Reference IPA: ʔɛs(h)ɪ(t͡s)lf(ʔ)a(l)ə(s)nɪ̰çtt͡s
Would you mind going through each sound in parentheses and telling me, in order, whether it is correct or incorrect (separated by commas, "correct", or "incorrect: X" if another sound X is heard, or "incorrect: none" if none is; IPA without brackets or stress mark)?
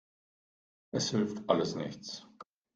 correct, incorrect: none, incorrect: t, correct, correct